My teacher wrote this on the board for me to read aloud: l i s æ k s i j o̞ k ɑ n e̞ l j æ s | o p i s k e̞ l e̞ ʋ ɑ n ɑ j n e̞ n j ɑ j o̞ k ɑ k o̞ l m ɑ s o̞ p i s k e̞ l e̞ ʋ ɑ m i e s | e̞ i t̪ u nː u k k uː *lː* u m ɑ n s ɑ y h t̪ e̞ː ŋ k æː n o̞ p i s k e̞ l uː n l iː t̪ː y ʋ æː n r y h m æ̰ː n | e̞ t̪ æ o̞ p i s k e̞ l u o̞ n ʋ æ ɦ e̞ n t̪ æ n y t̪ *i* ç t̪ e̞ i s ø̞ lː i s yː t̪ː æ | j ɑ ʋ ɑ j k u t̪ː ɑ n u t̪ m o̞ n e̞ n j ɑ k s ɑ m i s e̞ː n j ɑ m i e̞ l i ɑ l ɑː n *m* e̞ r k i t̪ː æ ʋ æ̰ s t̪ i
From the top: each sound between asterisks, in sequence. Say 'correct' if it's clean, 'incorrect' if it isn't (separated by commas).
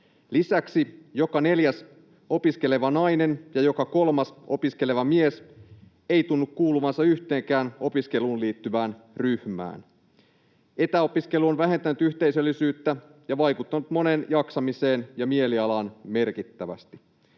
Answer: incorrect, incorrect, correct